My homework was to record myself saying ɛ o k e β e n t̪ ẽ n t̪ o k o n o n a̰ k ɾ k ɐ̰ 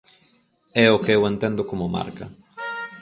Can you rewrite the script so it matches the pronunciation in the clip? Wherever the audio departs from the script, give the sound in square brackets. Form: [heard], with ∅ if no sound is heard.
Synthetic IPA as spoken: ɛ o k e [w] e n t̪ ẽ n [d̪] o k o [m] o [m] a̰ [∅] ɾ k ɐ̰